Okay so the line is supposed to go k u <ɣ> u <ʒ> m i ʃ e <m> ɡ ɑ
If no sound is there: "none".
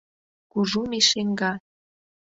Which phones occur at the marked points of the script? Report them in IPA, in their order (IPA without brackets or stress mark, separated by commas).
ʒ, none, ŋ